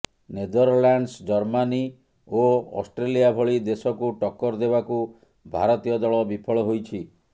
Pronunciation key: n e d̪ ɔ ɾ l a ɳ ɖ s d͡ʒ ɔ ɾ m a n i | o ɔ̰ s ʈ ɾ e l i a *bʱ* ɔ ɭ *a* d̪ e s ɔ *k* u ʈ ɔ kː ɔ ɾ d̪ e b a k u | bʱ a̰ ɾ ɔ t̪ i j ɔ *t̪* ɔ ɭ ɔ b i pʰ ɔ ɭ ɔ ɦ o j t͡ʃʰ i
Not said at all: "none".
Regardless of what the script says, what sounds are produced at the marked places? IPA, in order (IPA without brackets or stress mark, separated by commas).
bʱ, i, k, d̪